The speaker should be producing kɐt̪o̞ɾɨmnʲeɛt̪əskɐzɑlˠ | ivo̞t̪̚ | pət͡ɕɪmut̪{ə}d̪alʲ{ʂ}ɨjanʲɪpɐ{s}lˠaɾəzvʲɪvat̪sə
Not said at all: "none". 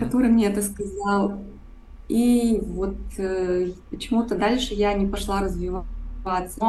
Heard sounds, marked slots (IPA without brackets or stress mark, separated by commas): ə, ʂ, ʂ